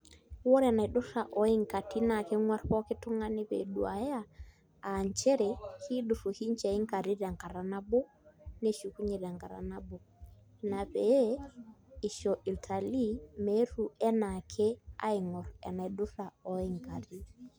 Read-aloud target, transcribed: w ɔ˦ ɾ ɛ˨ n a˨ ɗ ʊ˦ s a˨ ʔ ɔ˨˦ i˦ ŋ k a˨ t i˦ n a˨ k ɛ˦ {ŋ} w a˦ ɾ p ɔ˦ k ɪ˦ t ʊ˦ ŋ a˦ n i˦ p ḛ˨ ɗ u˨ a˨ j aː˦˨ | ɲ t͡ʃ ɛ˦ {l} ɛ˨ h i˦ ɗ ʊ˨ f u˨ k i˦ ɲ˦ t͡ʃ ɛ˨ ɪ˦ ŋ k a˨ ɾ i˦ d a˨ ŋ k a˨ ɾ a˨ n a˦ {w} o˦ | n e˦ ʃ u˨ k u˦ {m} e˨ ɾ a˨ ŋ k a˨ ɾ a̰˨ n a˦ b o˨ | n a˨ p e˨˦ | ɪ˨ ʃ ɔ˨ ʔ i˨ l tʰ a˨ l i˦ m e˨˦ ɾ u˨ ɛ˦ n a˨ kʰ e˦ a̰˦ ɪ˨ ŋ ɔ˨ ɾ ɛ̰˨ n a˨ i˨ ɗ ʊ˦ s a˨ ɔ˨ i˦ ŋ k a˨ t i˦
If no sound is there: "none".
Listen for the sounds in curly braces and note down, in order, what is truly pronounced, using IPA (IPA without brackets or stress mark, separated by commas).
ŋ, ɾ, b, ɲ